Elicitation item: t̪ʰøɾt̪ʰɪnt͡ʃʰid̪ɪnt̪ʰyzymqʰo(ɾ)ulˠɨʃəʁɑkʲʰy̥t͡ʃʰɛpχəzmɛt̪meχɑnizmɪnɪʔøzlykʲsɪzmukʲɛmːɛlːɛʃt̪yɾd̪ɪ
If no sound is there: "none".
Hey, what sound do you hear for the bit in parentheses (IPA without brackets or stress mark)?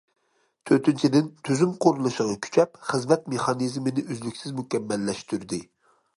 ɾ